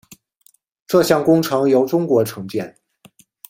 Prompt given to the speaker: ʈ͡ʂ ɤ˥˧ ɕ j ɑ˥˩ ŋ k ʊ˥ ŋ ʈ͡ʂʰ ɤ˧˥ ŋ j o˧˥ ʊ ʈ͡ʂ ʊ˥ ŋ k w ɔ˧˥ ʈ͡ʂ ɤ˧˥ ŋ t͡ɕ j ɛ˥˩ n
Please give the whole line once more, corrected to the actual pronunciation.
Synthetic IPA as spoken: ʈ͡ʂ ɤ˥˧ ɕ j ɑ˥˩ ŋ k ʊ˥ ŋ ʈ͡ʂʰ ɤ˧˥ ŋ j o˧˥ ʊ ʈ͡ʂ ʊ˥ ŋ k w ɔ˧˥ ʈ͡ʂʰ ɤ˧˥ ŋ t͡ɕ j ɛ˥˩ n

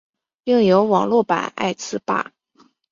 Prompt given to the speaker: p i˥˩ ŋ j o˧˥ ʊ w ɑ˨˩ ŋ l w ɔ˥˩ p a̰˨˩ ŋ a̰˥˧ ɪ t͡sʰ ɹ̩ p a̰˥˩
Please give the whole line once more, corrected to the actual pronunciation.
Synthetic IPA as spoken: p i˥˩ ŋ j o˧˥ ʊ w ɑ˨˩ ŋ l w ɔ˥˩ p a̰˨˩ n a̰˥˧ ɪ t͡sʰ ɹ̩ p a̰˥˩

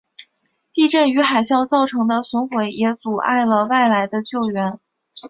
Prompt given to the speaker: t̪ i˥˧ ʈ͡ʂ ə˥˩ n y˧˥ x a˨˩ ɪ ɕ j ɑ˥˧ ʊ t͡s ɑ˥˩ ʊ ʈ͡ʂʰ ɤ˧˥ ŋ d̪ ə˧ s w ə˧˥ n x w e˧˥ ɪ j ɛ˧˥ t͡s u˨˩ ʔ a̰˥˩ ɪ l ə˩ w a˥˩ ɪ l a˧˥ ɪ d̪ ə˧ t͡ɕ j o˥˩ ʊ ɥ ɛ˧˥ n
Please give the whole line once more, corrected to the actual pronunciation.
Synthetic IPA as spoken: t̪ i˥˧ ʈ͡ʂ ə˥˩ n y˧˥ x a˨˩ ɪ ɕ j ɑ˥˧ ʊ t͡s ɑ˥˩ ʊ ʈ͡ʂʰ ɤ˧˥ ŋ d̪ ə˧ s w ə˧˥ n x w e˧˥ ɪ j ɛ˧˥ t͡s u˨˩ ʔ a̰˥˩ ɪ l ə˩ w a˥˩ ɪ l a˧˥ ɪ d̪ ə˧ t͡ɕ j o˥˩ ʊ ɥ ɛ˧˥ n

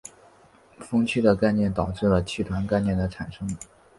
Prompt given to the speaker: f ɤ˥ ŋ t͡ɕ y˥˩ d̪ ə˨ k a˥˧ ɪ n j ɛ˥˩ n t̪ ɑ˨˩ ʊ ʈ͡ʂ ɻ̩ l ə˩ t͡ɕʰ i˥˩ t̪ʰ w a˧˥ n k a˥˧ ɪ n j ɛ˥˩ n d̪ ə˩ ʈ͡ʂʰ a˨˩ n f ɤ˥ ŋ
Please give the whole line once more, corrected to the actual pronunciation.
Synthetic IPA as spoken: f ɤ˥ ŋ t͡ɕʰ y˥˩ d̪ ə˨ k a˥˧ ɪ n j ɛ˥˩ n t̪ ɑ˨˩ ʊ ʈ͡ʂ ɻ̩ l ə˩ t͡ɕʰ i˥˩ t̪ʰ w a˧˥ n k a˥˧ ɪ n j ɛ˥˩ n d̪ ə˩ ʈ͡ʂʰ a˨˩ n ʂ ɤ˥ ŋ

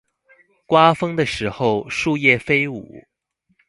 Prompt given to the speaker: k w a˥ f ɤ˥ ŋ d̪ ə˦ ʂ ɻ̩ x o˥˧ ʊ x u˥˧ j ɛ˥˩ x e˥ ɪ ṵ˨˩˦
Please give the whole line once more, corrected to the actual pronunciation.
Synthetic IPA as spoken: k w a˥ f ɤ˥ ŋ d̪ ə˨ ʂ ɻ̩ x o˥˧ ʊ ʂ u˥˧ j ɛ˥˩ f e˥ ɪ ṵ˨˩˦

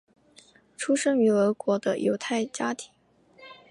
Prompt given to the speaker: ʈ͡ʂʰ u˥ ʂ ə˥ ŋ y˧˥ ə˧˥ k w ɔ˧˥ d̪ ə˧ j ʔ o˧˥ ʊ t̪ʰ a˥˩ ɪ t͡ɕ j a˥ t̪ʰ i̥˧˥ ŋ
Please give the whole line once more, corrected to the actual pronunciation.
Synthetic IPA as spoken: ʈ͡ʂʰ u˥ ʂ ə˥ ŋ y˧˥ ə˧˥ k w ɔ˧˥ d̪ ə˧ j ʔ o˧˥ ʊ t̪ʰ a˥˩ ɪ t͡ɕ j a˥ t̪ʰ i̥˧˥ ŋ

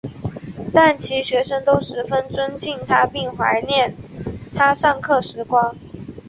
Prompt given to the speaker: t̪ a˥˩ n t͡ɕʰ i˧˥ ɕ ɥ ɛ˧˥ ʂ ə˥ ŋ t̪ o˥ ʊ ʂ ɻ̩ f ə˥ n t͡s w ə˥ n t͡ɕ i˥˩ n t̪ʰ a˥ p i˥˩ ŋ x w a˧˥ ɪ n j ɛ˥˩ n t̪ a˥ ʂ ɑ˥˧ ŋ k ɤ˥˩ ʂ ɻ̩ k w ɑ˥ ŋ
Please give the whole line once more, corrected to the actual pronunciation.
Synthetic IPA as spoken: t̪ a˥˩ n t͡ɕʰ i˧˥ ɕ ɥ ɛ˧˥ ʂ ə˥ ŋ t̪ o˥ ʊ ʂ ɻ̩ f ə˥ n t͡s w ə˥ n t͡ɕ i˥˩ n t̪ʰ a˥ p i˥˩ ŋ x w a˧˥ ɪ n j ɛ˥˩ n t̪ʰ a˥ ʂ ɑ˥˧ ŋ kʰ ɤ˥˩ ʂ ɻ̩ k w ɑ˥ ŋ

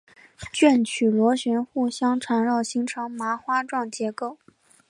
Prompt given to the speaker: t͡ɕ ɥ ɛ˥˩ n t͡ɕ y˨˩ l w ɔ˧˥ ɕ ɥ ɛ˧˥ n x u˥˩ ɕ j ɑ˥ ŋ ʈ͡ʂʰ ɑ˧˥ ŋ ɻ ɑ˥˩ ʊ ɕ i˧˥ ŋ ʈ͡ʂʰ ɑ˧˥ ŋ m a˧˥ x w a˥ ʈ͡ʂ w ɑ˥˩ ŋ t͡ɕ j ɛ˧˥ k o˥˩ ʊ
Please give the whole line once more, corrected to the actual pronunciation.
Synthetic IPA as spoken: t͡ɕ ɥ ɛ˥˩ n t͡ɕʰ y˨˩ l w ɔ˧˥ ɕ ɥ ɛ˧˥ n x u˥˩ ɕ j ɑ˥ ŋ ʈ͡ʂʰ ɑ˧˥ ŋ ɻ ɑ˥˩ ʊ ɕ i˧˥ ŋ ʈ͡ʂʰ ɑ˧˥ ŋ m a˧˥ x w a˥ ʈ͡ʂ w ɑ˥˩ ŋ t͡ɕ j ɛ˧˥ k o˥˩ ʊ

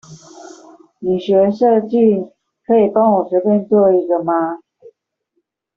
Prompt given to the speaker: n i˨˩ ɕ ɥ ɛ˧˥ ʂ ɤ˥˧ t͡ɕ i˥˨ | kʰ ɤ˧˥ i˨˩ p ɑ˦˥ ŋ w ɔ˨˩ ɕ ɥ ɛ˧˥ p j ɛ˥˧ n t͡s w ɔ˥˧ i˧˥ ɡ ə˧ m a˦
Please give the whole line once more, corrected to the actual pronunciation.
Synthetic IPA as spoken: n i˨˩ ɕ ɥ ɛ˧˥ ʂ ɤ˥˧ t͡ɕ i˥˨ | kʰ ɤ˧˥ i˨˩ p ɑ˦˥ ŋ w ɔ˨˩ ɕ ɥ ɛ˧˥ p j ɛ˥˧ n t͡s w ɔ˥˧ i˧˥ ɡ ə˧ m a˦

